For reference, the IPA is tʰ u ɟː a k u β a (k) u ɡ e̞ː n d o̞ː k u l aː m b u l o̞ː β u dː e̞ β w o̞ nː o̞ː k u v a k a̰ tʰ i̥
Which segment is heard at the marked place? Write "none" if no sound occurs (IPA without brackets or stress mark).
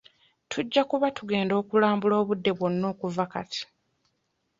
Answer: t